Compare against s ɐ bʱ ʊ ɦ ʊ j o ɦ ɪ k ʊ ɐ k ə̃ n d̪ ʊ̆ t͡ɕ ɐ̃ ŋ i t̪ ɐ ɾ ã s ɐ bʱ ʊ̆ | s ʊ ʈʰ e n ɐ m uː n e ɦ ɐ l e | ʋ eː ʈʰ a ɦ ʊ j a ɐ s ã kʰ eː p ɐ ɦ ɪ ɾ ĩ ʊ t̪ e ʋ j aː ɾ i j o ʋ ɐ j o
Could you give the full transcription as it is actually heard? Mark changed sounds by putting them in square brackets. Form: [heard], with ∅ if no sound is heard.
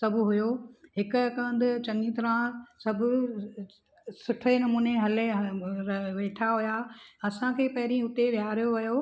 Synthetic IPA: s ɐ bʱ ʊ ɦ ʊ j o ɦ ɪ k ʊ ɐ k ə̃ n d̪ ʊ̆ t͡ɕ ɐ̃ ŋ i t̪ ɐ ɾ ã s ɐ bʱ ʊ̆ | s ʊ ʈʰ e n ɐ m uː n e ɦ ɐ l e | ʋ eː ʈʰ a ɦ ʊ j a ɐ s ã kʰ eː p ɐ ɦ ɪ ɾ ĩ ʊ t̪ e ʋ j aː ɾ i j o ʋ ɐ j o

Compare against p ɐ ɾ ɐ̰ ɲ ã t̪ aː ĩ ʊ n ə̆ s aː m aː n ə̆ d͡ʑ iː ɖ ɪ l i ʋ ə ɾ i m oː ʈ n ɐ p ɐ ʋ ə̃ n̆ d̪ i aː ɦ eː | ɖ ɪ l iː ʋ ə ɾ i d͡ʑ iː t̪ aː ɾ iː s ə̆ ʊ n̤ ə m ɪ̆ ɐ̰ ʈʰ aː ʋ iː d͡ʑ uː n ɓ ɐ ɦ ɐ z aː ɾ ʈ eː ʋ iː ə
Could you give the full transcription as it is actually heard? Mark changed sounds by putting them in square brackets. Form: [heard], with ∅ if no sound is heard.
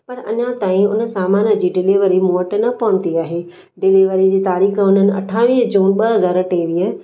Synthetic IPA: p ɐ ɾ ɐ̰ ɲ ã t̪ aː ĩ ʊ n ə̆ s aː m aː n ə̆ d͡ʑ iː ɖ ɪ l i ʋ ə ɾ i m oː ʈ n ɐ p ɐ ʋ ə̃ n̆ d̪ i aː ɦ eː | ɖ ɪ l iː ʋ ə ɾ i d͡ʑ iː t̪ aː ɾ iː [x] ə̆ ʊ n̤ ə [n] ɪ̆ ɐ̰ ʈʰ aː ʋ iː d͡ʑ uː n ɓ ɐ ɦ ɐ z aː ɾ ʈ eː ʋ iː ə

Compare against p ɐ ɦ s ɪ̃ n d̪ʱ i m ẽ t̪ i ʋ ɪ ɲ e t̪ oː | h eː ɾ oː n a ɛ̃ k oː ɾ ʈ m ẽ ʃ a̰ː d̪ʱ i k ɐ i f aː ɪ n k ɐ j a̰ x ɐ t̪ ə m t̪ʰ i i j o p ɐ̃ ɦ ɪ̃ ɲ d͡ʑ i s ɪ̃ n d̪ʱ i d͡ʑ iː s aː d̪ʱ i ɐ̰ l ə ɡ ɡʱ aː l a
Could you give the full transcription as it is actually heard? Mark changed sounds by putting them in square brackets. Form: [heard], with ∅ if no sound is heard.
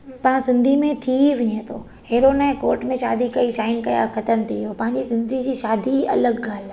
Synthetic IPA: p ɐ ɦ s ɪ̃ n d̪ʱ i m ẽ [t̪ʰ] i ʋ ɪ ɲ e [t̪ʰ] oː | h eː ɾ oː n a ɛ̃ k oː ɾ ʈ m ẽ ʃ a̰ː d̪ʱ i k ɐ i [ʃ] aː ɪ n k ɐ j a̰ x ɐ t̪ ə m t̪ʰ i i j o p ɐ̃ ɦ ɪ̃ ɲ d͡ʑ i s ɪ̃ n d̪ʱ i d͡ʑ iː [ʃ] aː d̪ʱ i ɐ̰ l ə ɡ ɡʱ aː l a

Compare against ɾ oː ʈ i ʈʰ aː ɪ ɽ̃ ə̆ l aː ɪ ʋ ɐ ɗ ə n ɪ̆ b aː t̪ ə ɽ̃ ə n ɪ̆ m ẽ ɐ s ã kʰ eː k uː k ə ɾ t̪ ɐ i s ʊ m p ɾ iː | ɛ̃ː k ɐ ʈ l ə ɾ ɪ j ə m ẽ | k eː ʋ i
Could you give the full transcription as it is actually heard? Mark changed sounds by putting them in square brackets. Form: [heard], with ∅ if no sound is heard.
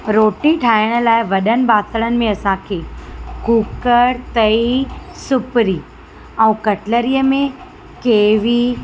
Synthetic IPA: ɾ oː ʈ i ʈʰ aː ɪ ɽ̃ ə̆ l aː ɪ ʋ ɐ ɗ ə n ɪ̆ b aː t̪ ə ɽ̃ ə n ɪ̆ m ẽ ɐ s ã kʰ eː k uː k ə ɾ t̪ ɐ i s ʊ [∅] p ɾ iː | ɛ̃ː k ɐ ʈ l ə ɾ [i] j ə m ẽ | k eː ʋ i

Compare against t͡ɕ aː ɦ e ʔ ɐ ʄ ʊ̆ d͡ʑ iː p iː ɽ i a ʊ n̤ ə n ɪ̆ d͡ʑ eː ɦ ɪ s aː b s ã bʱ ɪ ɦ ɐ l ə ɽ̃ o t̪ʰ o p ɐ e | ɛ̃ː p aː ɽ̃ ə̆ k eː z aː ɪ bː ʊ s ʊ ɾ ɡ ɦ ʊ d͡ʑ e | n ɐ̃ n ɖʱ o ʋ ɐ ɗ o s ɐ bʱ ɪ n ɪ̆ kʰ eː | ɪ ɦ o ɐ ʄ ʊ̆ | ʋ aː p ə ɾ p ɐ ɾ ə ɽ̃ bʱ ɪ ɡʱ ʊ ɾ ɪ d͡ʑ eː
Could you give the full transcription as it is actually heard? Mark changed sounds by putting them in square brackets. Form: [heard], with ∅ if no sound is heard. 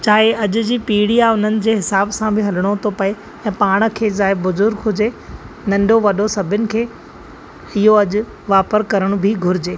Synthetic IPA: t͡ɕ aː ɦ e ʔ ɐ ʄ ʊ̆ d͡ʑ iː p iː ɽ i a ʊ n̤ ə n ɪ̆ d͡ʑ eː ɦ ɪ s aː b s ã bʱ ɪ ɦ ɐ l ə ɽ̃ o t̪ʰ o p ɐ e | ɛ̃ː p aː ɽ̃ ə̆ [kʰ] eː z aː ɪ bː ʊ [z] ʊ ɾ ɡ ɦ ʊ d͡ʑ e | n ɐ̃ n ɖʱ o ʋ ɐ ɗ o s ɐ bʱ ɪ n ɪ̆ kʰ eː | ɪ ɦ o ɐ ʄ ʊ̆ | ʋ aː p ə ɾ [k] ɐ ɾ ə ɽ̃ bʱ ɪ ɡʱ ʊ ɾ ɪ d͡ʑ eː

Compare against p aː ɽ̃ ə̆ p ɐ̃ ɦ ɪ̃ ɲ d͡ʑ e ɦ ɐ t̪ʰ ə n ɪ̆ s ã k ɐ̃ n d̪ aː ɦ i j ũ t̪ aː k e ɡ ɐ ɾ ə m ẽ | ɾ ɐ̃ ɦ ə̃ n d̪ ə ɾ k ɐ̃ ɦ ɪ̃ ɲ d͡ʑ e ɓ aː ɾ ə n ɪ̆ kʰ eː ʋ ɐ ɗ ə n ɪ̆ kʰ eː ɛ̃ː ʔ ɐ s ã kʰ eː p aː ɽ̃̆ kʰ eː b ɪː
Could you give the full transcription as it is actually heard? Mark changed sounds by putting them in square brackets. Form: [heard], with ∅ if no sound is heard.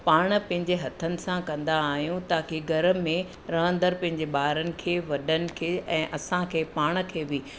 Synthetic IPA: p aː ɽ̃ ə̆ p ɐ̃ ɦ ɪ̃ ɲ d͡ʑ e ɦ ɐ t̪ʰ ə n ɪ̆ s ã k ɐ̃ n d̪ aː ɦ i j ũ t̪ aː k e ɡ ɐ ɾ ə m ẽ | ɾ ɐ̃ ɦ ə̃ n d̪ ə ɾ [p] ɐ̃ ɦ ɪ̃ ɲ d͡ʑ e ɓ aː ɾ ə n ɪ̆ kʰ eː ʋ ɐ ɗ ə n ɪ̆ kʰ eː ɛ̃ː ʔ ɐ s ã kʰ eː p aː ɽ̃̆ kʰ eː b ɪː

